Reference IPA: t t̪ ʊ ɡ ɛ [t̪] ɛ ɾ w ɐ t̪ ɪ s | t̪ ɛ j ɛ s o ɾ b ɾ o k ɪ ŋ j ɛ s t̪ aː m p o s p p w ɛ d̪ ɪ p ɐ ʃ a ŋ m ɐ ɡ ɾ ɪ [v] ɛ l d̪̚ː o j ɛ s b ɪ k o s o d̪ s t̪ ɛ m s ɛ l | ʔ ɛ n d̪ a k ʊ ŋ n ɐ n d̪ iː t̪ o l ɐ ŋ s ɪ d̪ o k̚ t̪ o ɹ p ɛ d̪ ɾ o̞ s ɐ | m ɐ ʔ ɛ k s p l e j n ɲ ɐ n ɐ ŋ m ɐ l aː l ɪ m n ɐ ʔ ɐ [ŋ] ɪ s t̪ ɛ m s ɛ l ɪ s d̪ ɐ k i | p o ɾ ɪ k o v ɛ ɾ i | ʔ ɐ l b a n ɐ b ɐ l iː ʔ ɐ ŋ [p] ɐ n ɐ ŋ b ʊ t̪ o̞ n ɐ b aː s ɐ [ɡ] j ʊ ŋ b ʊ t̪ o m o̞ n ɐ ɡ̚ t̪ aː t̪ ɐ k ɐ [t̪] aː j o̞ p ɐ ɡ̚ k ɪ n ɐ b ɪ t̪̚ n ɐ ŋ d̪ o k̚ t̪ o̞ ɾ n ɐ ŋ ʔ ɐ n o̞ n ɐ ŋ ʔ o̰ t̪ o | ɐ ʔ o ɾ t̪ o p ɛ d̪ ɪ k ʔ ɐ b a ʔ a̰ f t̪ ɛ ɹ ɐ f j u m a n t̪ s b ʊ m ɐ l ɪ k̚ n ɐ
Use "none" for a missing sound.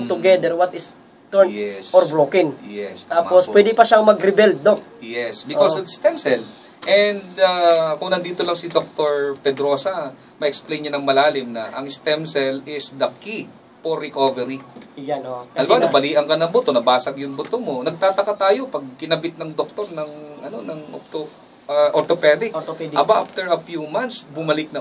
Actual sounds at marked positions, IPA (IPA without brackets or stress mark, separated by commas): d̪, b, ŋ, k, ɡ, t̪